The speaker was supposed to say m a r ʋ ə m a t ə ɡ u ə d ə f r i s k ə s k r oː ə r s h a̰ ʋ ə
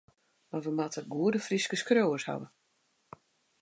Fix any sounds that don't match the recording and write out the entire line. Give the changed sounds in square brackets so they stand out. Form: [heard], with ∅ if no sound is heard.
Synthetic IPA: m a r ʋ ə m a t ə ɡ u ə d ə f r i s k ə s k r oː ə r s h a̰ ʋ ə